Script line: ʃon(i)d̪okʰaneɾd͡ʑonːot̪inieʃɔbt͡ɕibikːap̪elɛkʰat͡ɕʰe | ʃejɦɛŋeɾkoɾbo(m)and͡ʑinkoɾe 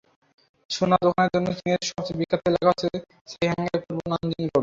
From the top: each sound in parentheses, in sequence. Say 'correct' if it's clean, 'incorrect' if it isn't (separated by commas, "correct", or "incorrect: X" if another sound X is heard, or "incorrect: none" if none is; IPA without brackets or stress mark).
incorrect: a, incorrect: n